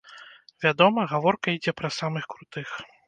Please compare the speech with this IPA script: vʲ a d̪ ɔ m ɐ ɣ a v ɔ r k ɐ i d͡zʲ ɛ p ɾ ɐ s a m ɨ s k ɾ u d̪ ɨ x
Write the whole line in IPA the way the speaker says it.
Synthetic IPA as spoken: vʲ a d̪ ɔ m ɐ ɣ a v ɔ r k ɐ i d͡zʲ ɛ p ɾ ɐ s a m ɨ x k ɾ u t̪ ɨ x